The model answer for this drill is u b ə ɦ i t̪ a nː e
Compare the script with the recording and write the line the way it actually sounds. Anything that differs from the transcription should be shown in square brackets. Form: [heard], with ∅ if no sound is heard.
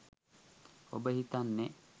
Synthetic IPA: [o] b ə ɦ i t̪ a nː e